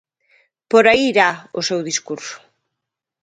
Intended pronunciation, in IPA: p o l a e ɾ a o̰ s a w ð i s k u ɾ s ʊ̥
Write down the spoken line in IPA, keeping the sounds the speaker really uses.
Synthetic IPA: p o ɾ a i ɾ a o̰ s e w ð i s k u ɾ s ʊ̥